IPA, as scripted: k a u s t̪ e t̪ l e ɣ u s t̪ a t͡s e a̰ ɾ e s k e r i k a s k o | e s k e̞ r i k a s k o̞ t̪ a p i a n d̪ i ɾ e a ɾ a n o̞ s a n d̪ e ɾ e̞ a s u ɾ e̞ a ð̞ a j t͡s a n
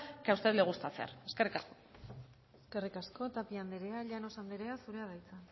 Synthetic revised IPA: k a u s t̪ e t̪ l e ɣ u s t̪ a t͡s e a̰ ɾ e s k e r i k a s k o | e s k e̞ r i k a s k o̞ t̪ a p i a n d̪ e ɾ e a ʎ a n o̞ s a n d̪ e ɾ e̞ a s u ɾ e̞ a ð̞ a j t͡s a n